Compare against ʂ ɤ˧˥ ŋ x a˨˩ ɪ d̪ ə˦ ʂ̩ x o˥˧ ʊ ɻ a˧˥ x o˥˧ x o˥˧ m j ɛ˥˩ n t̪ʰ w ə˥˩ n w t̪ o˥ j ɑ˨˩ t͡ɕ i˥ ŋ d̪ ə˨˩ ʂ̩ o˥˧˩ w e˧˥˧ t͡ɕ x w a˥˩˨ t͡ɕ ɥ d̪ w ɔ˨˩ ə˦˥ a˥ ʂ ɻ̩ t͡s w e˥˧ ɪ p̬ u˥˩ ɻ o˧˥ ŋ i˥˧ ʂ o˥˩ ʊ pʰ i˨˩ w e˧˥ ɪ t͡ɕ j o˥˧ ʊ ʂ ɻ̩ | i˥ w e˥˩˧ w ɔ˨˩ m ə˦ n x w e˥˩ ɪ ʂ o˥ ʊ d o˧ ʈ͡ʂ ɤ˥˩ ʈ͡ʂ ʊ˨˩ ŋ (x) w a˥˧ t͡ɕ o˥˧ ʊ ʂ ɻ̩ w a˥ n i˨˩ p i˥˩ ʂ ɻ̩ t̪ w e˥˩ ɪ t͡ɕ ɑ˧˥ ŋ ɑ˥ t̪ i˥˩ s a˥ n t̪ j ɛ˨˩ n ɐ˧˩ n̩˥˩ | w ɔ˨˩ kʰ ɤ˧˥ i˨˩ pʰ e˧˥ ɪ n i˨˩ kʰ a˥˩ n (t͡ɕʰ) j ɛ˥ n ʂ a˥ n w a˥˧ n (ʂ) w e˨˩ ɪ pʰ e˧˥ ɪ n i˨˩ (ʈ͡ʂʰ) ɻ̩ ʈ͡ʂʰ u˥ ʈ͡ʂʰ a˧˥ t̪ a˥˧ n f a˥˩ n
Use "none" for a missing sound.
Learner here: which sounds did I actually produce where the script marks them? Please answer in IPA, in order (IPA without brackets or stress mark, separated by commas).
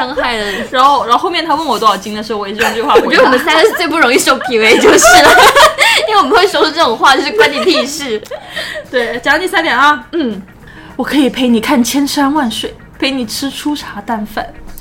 x, t͡ɕʰ, ʂ, ʈ͡ʂʰ